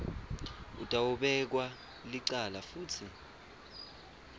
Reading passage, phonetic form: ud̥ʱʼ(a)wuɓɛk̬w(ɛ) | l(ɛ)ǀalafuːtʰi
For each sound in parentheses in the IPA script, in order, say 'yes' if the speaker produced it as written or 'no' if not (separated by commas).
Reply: yes, no, no